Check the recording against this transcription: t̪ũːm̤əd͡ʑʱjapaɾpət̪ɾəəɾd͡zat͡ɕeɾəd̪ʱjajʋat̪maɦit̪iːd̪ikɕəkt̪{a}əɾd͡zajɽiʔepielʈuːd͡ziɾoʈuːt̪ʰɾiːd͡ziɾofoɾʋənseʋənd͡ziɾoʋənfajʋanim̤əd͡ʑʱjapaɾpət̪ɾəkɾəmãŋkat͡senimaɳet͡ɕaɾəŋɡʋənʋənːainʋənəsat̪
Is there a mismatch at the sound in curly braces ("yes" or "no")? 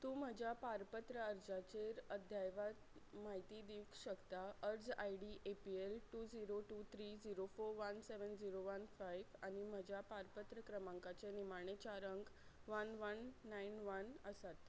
no